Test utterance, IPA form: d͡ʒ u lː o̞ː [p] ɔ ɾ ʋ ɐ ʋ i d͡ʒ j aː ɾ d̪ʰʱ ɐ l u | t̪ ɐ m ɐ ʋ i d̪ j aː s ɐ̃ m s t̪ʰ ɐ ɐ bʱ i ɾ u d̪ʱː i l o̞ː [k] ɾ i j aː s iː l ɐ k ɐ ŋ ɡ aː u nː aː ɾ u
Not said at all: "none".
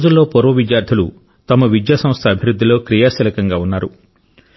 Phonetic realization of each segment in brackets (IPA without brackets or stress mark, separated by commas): p, k